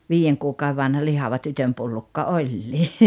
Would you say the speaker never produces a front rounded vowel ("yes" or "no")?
no